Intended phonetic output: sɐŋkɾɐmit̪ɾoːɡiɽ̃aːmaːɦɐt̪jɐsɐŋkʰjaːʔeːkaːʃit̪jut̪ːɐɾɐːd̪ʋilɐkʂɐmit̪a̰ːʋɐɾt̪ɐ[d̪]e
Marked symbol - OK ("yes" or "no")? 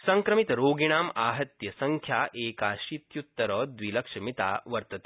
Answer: no